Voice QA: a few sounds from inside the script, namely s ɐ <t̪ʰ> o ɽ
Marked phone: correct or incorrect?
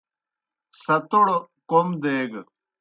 incorrect